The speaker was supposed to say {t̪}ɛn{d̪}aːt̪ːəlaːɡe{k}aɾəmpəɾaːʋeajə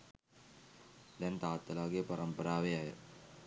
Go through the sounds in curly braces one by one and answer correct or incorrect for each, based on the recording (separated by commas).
incorrect, incorrect, incorrect